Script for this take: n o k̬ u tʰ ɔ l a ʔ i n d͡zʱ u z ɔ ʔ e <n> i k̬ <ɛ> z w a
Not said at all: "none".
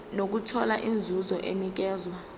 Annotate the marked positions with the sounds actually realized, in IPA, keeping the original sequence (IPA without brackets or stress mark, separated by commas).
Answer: m, ɛː